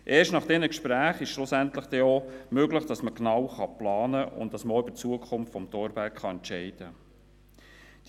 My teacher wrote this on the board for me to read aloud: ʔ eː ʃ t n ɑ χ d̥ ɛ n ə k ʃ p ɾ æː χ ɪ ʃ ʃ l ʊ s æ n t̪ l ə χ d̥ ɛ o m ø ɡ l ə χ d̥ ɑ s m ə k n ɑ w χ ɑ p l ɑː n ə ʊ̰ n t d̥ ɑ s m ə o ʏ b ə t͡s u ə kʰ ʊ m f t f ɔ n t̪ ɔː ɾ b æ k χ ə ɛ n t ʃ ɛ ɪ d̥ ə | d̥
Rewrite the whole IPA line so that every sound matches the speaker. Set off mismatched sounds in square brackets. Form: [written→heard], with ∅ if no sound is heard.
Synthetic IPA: ʔ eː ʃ t n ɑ χ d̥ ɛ n ə k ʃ p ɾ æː χ ɪ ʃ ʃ l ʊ s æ n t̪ l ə χ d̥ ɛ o m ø ɡ l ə χ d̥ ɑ s m ə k n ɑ w χ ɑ p l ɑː n ə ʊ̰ n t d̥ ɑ s m ə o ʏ b ə t͡s u ə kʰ ʊ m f t f ɔ [n→m] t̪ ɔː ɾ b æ k χ [ə→ɑ] ɛ n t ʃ ɛ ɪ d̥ ə | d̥